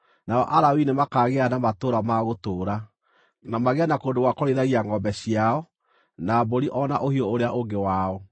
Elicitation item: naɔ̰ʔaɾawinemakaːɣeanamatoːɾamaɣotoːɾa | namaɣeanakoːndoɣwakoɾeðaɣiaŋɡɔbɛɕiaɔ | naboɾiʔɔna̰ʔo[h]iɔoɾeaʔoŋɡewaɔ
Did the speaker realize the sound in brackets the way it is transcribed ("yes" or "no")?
yes